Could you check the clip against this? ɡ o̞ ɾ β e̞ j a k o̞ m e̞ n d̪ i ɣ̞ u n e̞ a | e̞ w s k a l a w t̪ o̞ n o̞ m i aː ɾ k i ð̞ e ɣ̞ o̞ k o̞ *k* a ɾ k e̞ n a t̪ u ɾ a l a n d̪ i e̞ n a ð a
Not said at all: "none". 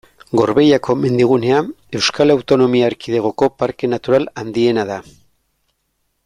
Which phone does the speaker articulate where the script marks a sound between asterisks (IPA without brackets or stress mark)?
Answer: p